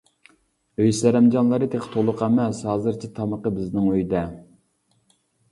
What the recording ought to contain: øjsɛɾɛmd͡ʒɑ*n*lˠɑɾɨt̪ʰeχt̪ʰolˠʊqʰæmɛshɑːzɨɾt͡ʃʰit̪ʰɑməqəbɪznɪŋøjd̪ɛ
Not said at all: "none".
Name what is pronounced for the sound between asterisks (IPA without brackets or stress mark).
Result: n